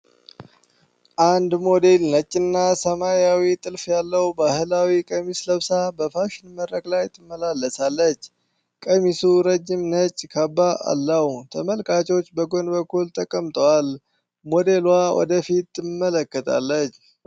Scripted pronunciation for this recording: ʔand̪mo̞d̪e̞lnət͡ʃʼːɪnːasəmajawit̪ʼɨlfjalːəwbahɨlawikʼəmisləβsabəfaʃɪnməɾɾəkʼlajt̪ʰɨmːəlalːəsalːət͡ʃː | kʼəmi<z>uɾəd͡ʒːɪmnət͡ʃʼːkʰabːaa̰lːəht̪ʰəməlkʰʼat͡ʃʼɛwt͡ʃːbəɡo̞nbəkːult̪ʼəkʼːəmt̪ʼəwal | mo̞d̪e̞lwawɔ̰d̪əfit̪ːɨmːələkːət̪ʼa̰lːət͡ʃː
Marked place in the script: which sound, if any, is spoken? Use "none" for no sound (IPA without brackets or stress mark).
s